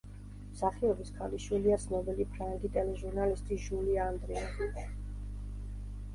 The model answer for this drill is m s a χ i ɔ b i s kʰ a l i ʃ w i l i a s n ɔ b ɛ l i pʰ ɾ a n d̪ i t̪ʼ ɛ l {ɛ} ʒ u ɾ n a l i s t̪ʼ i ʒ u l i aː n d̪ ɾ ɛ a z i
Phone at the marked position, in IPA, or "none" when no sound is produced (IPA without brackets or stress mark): ɛ